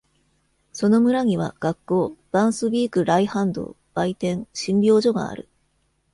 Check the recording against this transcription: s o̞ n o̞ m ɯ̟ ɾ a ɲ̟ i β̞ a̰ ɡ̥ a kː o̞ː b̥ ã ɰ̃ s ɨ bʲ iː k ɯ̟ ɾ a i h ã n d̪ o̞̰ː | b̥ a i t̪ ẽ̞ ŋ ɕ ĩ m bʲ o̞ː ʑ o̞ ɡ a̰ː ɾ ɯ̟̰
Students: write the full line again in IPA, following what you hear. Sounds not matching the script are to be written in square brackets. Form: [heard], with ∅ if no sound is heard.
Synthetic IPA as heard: s o̞ n o̞ m ɯ̟ ɾ a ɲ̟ i β̞ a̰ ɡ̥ a kː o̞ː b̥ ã ɰ̃ s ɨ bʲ iː k ɯ̟ ɾ a i h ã n d̪ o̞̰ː | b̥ a i t̪ ẽ̞ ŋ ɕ ĩ m bʲ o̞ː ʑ o̞ ɡ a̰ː ɾ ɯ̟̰